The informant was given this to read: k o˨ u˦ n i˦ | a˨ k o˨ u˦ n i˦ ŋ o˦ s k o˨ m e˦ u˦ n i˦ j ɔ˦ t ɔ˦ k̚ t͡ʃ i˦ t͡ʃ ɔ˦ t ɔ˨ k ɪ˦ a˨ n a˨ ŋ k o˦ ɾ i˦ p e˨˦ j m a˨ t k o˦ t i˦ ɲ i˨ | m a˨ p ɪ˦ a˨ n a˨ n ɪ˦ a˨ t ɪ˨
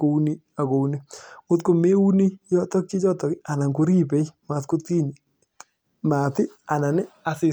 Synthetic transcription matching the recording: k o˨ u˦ n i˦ | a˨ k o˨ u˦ n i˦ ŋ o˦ t k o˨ m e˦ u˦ n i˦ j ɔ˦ t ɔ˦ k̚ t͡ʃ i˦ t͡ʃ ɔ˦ t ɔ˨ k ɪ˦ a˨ n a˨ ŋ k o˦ ɾ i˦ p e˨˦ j m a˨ t k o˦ t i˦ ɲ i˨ | m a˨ t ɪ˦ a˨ n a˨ n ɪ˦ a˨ s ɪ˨